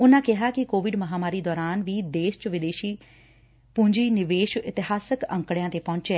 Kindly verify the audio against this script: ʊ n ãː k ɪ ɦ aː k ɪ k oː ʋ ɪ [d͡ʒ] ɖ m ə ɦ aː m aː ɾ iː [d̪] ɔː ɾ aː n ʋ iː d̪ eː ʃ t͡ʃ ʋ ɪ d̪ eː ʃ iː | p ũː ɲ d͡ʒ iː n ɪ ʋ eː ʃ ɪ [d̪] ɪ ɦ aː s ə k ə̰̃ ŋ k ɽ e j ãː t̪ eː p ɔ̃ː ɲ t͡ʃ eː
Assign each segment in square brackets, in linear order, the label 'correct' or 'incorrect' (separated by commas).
incorrect, correct, incorrect